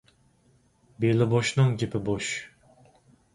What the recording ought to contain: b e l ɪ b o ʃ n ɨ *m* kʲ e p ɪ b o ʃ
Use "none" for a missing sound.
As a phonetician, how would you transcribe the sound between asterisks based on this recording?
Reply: ŋ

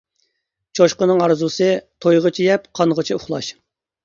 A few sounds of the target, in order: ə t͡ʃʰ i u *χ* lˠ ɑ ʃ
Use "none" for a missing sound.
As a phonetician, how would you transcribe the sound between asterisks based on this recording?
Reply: χ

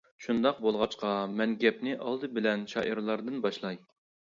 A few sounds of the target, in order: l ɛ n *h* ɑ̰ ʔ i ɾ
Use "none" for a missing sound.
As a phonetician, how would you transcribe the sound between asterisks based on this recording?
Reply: ʃ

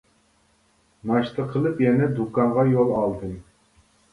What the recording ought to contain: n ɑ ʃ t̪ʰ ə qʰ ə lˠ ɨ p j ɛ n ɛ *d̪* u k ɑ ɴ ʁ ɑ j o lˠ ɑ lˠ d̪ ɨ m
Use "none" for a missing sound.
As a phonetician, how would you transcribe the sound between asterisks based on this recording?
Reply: d̪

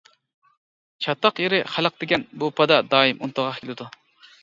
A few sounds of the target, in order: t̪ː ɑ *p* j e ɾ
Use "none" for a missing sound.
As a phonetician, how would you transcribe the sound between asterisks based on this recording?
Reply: q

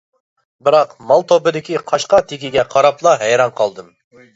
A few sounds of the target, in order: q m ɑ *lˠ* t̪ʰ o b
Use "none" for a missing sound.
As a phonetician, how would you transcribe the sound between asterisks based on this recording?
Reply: lˠ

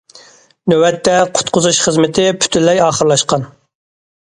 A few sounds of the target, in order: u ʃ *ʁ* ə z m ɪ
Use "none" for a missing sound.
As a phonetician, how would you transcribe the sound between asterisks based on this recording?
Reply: χ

